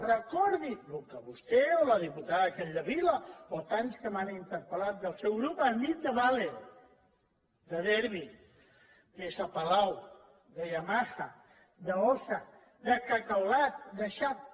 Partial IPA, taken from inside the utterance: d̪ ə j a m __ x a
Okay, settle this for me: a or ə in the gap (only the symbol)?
a